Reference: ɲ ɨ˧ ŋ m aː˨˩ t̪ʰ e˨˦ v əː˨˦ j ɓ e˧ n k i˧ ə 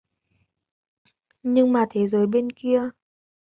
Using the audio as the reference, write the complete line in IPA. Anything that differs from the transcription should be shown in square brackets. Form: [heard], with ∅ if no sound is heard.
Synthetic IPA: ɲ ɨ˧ ŋ m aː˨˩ t̪ʰ e˨˦ [z] əː˨˦ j ɓ e˧ n k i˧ ə